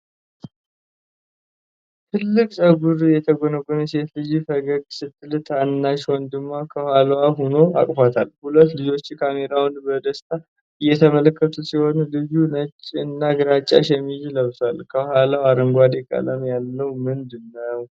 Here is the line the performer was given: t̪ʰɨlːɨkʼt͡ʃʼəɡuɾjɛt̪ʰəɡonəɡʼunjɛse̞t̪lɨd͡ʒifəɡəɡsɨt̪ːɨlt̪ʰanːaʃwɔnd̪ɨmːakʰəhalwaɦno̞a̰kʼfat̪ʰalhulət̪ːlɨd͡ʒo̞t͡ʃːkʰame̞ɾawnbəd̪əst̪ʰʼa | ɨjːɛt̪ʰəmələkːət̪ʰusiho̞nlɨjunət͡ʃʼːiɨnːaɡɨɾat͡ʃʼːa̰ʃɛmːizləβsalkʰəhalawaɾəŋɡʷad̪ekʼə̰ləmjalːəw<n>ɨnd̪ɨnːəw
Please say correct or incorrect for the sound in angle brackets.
incorrect